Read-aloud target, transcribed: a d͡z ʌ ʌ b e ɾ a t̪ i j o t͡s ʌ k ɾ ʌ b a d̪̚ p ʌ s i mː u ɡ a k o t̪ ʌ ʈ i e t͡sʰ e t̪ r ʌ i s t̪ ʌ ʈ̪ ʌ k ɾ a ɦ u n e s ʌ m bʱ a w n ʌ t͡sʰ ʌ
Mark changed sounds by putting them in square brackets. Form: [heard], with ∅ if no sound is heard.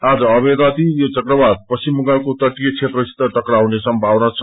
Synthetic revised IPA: a d͡z ʌ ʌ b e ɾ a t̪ i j o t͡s ʌ k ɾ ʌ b a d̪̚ p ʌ s i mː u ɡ a k o t̪ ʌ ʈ i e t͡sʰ e t̪ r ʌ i s t̪ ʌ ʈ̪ ʌ k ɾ a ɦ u n e s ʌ m bʱ a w n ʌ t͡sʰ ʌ

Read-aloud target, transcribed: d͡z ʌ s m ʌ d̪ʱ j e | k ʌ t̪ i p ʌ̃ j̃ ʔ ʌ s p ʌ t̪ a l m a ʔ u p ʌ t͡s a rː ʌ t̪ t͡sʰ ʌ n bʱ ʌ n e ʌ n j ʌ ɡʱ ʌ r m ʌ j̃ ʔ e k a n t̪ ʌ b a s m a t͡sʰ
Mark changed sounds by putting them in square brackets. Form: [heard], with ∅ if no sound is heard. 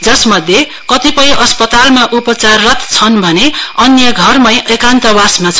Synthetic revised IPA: d͡z ʌ s m ʌ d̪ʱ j e | k ʌ t̪ i p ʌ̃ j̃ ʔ ʌ s p ʌ t̪ a l m a ʔ u p ʌ t͡s a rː ʌ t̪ t͡sʰ ʌ n bʱ ʌ n e ʌ n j ʌ ɡʱ ʌ r m ʌ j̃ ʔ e k a n t̪ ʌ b a s m a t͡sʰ

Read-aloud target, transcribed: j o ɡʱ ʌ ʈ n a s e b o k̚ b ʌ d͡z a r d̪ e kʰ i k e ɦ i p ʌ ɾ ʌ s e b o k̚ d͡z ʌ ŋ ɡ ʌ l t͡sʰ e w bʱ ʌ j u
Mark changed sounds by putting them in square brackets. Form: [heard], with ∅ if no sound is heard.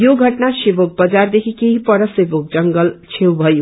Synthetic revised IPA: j o ɡʱ ʌ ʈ n a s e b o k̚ b ʌ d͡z a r d̪ e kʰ i k e ɦ i p ʌ ɾ ʌ s e b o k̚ d͡z ʌ ŋ ɡ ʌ l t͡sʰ e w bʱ ʌ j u

